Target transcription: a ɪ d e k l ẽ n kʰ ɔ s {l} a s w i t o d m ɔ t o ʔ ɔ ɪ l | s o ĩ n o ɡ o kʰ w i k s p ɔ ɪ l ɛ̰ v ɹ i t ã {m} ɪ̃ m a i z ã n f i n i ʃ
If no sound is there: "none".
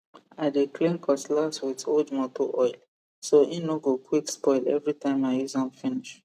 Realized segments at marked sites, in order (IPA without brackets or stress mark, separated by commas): l, none